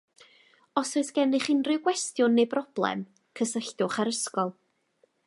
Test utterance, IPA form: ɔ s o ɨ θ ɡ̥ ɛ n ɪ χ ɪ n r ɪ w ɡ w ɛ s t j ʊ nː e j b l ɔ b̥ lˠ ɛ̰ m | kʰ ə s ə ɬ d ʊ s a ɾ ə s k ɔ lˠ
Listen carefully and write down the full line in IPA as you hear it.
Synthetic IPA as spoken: ɔ s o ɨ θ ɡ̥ ɛ n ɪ χ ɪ n r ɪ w ɡ w ɛ s t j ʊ nː e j b r ɔ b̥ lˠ ɛ̰ m | kʰ ə s ə ɬ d ʊ χ a ɾ ə s k ɔ lˠ